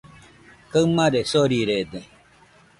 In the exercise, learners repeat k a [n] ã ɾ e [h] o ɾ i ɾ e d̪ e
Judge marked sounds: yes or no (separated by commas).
no, no